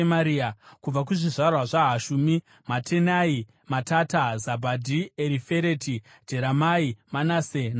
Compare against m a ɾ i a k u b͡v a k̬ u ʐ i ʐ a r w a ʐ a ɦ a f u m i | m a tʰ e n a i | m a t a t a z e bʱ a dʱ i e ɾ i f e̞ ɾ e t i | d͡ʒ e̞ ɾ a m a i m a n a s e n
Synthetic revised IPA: m a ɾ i a k u b͡v a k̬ u ʐ i ʐ a r w a ʐ a ɦ a ʃ u m i | m a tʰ e n a i | m a t a t a z a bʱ a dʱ i e ɾ i f e̞ ɾ e t i | d͡ʒ e̞ ɾ a m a i m a n a s e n